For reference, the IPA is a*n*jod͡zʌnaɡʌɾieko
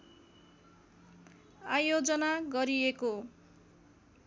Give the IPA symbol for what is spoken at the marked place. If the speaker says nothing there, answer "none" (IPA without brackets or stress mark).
none